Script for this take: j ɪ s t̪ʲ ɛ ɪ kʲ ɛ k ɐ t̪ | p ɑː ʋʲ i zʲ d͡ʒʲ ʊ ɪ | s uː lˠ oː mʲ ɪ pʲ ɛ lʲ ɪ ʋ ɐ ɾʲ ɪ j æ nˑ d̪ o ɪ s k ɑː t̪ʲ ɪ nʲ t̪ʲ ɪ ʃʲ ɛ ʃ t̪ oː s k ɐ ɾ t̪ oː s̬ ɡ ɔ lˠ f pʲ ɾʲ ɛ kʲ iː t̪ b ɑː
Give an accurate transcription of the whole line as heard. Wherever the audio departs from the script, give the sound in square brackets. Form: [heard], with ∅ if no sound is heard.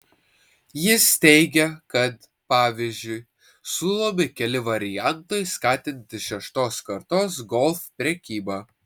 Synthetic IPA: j ɪ s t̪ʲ ɛ ɪ [ɡʲ] ɛ k ɐ t̪ | p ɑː ʋʲ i zʲ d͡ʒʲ ʊ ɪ | s uː lˠ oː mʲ ɪ [kʲ] ɛ lʲ ɪ ʋ ɐ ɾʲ ɪ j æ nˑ [t̪] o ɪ s k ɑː t̪ʲ ɪ nʲ t̪ʲ ɪ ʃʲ ɛ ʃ t̪ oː s k ɐ ɾ t̪ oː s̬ ɡ ɔ lˠ f pʲ ɾʲ ɛ kʲ iː [∅] b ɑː

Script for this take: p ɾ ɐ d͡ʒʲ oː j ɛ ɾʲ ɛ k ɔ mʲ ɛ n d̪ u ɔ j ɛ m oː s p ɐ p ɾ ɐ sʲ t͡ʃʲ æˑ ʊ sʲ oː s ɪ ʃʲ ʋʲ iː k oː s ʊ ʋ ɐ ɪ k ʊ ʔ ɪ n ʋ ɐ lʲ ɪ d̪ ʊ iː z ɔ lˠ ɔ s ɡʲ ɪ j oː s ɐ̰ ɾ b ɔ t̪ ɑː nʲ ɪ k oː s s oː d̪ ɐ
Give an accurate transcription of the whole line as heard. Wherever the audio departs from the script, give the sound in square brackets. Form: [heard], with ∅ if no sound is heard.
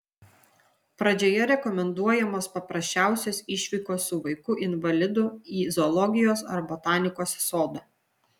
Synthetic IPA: p ɾ ɐ d͡ʒʲ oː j ɛ ɾʲ ɛ k ɔ mʲ ɛ n d̪ u ɔ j ɛ m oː s p ɐ p ɾ ɐ sʲ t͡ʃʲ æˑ ʊ sʲ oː s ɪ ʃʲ ʋʲ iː k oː s ʊ ʋ ɐ ɪ k ʊ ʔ ɪ n ʋ ɐ lʲ ɪ d̪ ʊ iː z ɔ lˠ ɔ [∅] ɡʲ ɪ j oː s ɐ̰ ɾ b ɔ t̪ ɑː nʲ ɪ k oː s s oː d̪ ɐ

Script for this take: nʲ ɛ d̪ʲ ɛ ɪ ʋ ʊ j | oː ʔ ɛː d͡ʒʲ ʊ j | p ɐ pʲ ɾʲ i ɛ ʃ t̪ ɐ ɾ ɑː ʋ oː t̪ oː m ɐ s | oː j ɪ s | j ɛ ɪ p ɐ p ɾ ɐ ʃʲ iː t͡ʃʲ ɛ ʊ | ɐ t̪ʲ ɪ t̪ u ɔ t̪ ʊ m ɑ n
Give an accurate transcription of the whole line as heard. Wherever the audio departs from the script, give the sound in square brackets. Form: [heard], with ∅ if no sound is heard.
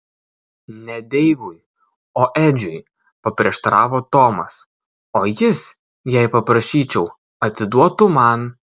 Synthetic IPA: nʲ ɛ d̪ʲ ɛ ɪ ʋ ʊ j | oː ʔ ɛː d͡ʒʲ ʊ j | p ɐ pʲ ɾʲ i ɛ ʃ t̪ ɐ ɾ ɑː ʋ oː t̪ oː m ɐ s | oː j ɪ s | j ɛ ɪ p ɐ p ɾ ɐ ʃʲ iː t͡ʃʲ ɛ ʊ | ɐ t̪ʲ ɪ [d̪] u ɔ t̪ ʊ m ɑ n

